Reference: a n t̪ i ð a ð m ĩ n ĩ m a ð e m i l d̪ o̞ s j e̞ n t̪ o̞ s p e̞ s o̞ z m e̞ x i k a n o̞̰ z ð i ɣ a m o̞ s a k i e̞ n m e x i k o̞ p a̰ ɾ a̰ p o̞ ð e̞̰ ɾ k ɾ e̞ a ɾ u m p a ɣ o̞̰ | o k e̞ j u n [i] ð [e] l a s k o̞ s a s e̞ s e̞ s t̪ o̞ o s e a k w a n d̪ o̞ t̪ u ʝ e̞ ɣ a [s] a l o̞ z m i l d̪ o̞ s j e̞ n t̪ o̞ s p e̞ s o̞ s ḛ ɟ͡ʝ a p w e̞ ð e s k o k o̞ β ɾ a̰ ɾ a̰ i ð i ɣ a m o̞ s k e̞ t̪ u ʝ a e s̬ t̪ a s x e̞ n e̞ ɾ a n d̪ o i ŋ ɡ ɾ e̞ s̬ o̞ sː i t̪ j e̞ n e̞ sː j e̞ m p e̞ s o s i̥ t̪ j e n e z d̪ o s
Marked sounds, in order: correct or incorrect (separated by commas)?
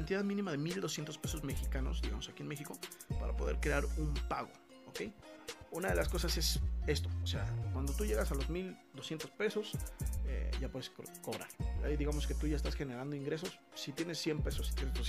incorrect, correct, correct